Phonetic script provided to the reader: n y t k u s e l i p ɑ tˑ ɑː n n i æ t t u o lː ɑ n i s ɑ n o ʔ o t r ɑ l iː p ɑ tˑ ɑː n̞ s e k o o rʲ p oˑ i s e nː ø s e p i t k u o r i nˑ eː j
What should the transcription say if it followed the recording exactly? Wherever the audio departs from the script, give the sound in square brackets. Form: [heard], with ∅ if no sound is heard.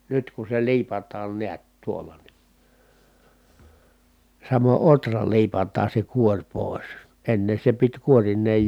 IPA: n y t k u s e l [iː] p ɑ tˑ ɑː n n i æ t t u o lː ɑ n i s ɑ [m] o ʔ o t r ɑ l iː p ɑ tˑ ɑː n̞ s e k [u] o rʲ p oˑ i s e nː [e] s e p i t k u o r i nˑ eː j